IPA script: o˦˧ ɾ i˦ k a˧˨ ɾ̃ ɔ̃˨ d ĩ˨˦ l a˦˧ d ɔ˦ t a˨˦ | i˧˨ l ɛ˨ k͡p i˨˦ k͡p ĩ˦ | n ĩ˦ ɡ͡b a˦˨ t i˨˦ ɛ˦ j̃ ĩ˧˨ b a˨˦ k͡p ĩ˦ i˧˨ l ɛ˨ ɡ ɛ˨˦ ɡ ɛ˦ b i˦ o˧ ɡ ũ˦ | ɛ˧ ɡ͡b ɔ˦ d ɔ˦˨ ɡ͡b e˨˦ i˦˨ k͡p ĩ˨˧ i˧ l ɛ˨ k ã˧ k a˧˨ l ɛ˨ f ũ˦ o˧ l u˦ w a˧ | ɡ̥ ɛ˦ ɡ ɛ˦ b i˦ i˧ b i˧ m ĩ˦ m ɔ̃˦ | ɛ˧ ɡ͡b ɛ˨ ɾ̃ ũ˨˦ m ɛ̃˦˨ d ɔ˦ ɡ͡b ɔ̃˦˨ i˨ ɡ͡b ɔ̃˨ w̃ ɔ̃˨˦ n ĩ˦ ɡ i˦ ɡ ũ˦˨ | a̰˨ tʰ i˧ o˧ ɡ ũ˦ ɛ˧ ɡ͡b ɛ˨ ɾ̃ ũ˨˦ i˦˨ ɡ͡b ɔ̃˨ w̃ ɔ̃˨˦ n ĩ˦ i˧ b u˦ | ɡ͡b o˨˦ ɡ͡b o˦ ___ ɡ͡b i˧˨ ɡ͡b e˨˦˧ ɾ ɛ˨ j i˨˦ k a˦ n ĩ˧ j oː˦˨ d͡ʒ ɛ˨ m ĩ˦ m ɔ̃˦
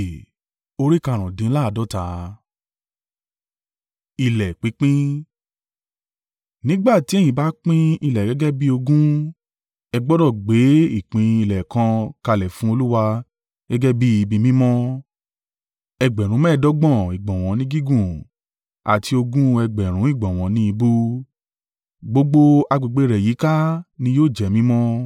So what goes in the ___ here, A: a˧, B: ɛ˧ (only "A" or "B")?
A